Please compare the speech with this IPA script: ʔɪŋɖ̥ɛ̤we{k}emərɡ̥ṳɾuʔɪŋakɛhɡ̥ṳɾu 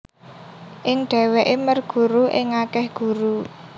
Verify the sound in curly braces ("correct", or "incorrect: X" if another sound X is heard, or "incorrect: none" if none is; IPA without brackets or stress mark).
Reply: incorrect: ʔ